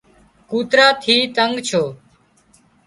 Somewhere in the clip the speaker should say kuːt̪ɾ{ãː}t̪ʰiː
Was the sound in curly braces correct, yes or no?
no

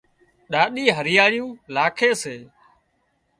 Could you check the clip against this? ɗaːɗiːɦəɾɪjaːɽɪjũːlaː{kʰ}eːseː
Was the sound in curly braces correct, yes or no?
yes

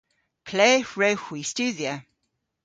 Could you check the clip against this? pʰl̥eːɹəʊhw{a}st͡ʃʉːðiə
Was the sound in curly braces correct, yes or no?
no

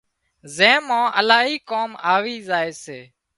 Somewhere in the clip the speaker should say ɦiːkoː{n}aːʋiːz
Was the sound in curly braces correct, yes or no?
no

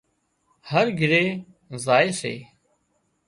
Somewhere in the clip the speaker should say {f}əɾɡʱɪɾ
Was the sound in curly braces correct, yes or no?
no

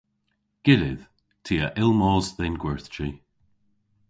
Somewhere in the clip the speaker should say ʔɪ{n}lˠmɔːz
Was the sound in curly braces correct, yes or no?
no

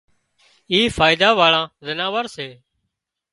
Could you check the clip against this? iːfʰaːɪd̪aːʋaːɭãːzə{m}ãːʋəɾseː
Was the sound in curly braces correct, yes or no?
no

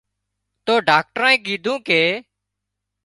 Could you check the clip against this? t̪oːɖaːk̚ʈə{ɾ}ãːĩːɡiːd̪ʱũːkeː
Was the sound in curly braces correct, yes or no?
yes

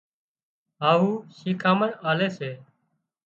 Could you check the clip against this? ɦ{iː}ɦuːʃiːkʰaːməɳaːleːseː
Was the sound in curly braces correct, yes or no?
no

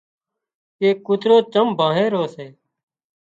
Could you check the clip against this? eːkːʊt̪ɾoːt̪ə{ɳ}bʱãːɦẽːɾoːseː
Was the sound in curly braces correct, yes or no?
no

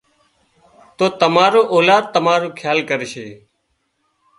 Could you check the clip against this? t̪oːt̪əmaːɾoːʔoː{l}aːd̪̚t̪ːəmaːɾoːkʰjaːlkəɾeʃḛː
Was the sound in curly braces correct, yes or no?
yes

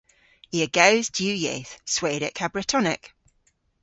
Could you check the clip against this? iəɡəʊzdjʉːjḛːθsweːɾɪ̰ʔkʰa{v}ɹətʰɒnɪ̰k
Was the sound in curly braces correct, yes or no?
no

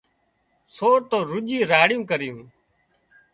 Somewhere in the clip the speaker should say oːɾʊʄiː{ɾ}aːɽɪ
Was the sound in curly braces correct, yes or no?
yes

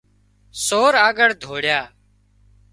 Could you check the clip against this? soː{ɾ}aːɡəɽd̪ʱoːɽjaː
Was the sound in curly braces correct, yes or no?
yes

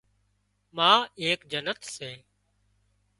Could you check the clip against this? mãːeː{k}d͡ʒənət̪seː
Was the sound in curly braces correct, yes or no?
yes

